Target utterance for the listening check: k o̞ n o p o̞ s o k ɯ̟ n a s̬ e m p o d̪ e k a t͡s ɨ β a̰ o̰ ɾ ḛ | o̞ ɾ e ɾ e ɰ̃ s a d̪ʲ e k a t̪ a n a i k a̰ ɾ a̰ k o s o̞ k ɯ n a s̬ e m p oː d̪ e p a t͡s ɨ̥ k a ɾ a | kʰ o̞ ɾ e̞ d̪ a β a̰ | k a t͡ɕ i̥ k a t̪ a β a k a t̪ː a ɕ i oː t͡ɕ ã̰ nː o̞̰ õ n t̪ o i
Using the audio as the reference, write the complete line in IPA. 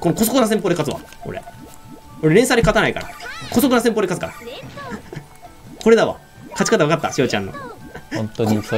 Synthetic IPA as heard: k o̞ n o k o̞ s o k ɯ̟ n a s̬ e m p o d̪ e k a t͡s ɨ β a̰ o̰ ɾ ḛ | o̞ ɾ e ɾ e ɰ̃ s a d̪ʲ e k a t̪ a n a i k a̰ ɾ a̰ k o s o̞ k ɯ n a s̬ e m p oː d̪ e k a t͡s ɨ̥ k a ɾ a | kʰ o̞ ɾ e̞ d̪ a β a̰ | k a t͡ɕ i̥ k a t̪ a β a k a t̪ː a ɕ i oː t͡ɕ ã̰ nː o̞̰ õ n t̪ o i